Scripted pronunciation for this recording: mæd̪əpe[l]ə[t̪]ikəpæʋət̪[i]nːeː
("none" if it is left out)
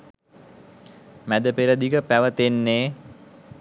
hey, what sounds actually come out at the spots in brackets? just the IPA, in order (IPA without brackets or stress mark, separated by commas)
ɾ, d̪, e